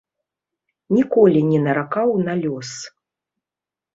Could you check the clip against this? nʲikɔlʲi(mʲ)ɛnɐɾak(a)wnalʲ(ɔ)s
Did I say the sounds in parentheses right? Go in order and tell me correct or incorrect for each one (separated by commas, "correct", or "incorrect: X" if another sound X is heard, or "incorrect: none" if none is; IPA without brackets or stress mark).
incorrect: nʲ, correct, correct